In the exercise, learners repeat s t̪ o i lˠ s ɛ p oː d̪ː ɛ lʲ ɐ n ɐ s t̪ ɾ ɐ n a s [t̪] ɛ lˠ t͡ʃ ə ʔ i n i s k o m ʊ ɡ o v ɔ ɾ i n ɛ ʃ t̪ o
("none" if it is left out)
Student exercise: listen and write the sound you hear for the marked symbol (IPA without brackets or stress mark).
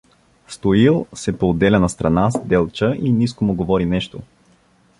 d̪